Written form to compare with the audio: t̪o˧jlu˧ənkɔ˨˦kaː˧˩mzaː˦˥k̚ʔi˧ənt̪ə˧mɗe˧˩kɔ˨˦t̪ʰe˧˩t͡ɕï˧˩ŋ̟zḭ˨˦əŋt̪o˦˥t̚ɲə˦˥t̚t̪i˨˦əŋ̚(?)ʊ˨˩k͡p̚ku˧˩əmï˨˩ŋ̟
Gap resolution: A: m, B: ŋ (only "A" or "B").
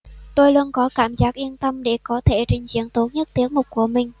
A